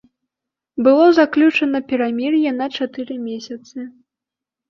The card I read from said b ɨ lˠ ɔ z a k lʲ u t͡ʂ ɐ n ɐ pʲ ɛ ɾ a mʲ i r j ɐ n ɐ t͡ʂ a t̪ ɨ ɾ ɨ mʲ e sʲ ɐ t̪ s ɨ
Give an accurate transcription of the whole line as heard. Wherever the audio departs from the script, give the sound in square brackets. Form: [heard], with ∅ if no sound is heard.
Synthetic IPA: b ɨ lˠ ɔ z a k lʲ u t͡ʂ ɐ n ɐ pʲ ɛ ɾ a mʲ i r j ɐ n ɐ t͡ʂ a t̪ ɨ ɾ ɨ mʲ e sʲ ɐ t̪ s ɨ